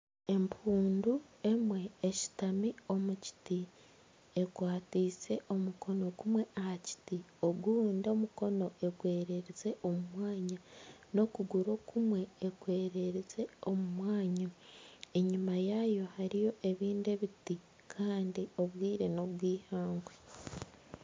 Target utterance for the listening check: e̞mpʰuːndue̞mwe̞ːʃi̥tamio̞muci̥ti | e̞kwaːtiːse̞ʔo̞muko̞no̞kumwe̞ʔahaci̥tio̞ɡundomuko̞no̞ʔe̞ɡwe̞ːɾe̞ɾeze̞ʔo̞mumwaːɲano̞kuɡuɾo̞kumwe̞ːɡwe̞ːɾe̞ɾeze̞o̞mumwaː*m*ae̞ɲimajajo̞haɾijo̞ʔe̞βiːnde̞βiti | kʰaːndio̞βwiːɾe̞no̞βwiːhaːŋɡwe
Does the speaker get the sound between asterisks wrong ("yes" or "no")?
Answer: yes